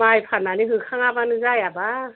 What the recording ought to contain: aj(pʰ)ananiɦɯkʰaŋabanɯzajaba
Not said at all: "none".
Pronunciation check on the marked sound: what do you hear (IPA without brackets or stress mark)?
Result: pʰ